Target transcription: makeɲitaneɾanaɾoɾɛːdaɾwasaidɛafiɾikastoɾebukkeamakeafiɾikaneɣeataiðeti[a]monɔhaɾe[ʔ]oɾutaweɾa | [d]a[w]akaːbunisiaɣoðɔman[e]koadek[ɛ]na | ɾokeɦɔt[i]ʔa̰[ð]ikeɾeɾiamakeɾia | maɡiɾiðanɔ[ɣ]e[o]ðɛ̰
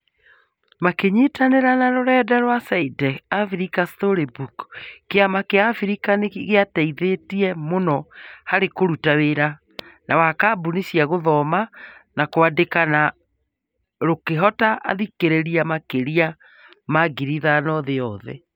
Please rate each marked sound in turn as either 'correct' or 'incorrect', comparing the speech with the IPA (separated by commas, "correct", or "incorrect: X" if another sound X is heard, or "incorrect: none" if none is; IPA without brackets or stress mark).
incorrect: ɛ, incorrect: k, incorrect: n, correct, incorrect: a, incorrect: a, incorrect: a, correct, incorrect: ð, incorrect: ɔ